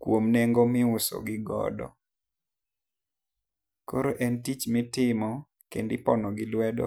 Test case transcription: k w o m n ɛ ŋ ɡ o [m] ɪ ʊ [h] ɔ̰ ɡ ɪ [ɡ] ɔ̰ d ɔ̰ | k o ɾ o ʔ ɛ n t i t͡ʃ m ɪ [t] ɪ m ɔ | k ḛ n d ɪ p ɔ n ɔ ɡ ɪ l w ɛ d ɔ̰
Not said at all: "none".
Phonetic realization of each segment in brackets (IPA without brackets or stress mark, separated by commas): m, s, ɡ, t